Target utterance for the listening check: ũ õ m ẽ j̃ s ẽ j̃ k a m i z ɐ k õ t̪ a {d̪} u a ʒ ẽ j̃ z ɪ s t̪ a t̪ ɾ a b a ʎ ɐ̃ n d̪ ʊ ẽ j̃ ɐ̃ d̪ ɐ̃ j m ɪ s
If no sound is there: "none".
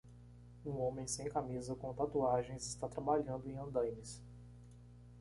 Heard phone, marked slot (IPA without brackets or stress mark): t̪